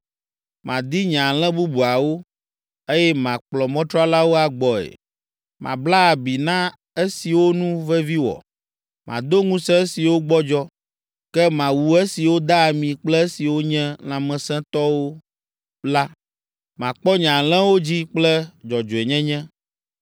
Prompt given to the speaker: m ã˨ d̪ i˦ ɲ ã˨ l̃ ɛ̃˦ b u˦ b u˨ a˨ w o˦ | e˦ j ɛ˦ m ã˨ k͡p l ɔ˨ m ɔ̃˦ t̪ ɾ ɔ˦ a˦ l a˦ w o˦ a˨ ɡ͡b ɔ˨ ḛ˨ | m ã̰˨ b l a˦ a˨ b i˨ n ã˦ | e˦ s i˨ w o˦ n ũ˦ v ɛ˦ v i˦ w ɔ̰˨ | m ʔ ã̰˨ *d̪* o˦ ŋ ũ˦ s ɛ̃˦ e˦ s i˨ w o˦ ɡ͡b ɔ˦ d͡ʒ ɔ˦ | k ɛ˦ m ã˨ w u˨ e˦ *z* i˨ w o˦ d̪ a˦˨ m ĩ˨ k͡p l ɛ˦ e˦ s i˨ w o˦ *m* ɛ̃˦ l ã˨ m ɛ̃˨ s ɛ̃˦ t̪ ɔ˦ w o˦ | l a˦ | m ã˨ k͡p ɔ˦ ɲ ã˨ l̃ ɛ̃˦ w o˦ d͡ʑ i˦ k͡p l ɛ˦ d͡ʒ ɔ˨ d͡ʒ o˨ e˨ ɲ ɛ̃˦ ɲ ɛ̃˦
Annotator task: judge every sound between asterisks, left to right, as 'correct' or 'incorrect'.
correct, incorrect: s, incorrect: ɲ

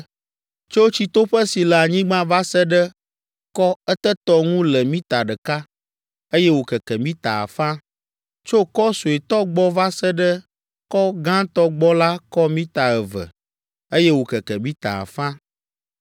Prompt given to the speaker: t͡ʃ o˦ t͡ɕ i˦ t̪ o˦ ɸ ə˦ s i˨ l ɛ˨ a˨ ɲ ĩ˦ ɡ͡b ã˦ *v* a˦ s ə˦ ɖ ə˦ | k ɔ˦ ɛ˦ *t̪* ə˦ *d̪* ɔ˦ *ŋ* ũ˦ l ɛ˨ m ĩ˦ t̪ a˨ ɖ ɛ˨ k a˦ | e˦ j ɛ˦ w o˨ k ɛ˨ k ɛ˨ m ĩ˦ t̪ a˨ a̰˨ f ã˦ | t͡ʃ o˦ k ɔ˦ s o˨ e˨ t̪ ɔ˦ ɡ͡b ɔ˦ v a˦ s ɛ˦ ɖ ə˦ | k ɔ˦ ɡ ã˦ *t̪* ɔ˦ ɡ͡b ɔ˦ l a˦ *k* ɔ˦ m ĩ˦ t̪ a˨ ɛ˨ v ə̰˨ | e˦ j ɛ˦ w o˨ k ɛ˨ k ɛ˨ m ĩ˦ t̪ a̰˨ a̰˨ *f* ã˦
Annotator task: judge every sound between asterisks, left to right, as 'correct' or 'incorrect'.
correct, correct, incorrect: t̪, correct, correct, correct, correct

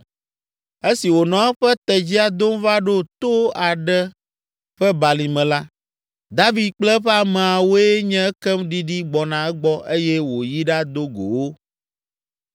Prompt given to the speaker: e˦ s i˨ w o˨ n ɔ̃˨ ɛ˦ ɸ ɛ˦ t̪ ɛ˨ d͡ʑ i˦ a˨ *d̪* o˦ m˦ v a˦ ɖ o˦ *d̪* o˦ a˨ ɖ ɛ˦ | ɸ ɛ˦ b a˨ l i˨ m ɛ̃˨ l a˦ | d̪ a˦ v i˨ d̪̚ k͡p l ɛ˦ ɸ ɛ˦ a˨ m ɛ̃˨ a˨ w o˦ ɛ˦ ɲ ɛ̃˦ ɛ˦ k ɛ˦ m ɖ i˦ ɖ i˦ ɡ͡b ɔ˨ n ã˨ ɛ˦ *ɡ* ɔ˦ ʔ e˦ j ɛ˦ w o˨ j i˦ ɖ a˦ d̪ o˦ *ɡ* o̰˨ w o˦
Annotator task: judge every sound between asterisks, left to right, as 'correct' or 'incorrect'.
correct, incorrect: t̪, incorrect: ɡ͡b, correct

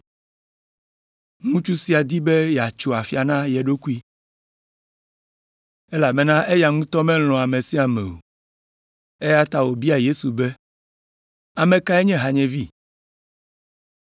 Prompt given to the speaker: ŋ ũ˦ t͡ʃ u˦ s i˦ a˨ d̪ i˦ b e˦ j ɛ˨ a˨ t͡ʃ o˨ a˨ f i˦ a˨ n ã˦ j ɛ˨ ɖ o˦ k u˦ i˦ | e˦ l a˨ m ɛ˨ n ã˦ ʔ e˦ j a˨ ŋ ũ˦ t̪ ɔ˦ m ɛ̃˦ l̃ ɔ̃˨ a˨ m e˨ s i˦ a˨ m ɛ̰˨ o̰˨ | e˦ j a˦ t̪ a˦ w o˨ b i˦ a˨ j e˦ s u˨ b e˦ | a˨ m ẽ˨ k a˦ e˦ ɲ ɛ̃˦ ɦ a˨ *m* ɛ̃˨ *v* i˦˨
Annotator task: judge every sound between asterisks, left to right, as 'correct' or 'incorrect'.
incorrect: ɲ, correct

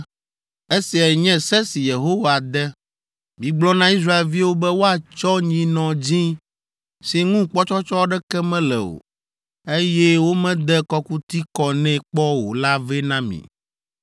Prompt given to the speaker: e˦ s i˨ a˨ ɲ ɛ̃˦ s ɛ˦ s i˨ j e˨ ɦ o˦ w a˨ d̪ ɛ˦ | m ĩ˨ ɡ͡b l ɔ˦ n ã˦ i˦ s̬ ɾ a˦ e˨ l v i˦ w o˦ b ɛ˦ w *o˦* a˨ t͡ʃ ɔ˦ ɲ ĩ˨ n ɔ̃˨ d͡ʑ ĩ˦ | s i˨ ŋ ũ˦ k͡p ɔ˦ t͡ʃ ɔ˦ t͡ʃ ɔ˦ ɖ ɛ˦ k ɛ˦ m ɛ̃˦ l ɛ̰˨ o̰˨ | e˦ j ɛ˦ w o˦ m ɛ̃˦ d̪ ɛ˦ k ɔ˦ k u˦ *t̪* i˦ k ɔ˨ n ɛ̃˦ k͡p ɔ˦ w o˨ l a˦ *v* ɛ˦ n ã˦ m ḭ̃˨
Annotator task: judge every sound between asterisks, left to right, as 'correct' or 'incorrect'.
correct, correct, correct

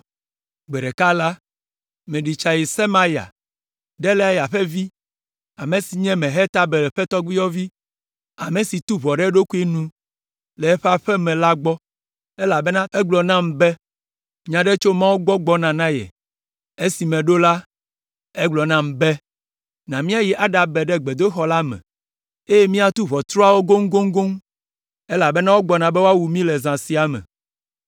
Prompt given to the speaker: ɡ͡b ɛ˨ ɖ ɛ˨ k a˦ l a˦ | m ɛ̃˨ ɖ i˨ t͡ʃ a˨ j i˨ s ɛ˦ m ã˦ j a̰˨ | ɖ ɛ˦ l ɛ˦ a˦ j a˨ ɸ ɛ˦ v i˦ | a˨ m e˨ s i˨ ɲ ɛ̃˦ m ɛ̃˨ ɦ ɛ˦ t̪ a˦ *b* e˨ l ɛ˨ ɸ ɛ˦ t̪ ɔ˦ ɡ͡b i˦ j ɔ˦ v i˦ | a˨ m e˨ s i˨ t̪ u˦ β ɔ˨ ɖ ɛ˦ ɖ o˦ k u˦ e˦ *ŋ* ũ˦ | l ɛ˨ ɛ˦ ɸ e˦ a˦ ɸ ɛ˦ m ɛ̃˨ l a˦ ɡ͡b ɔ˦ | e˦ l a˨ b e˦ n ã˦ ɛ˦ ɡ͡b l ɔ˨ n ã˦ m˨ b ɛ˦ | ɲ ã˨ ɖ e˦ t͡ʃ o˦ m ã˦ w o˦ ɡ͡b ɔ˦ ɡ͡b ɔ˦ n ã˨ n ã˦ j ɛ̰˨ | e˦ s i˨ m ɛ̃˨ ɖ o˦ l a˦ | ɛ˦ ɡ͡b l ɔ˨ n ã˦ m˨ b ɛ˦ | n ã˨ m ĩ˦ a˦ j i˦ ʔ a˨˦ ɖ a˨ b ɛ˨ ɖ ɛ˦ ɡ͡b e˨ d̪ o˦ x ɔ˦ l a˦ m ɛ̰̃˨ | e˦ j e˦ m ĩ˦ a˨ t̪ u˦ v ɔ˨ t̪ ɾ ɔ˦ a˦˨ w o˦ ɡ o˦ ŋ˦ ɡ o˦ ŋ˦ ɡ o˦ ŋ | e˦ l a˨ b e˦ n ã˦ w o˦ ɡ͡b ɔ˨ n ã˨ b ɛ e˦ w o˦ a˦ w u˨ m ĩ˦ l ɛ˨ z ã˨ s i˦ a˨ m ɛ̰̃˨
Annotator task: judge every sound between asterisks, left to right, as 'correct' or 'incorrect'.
correct, incorrect: n

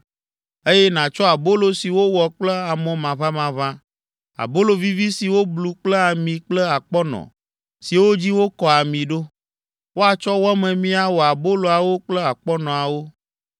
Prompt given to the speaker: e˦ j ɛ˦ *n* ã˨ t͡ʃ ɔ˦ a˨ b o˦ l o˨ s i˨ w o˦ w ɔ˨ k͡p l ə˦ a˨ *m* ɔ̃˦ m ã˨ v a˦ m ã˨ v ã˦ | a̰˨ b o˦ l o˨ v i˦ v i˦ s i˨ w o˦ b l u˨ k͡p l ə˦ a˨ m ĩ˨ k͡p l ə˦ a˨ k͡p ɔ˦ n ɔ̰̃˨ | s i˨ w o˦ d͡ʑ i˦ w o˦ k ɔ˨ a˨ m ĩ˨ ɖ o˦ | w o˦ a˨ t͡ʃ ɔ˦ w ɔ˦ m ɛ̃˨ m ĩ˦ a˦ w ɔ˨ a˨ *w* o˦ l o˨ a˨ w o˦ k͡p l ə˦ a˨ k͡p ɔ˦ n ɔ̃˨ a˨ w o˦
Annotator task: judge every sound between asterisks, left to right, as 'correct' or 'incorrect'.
correct, correct, incorrect: b

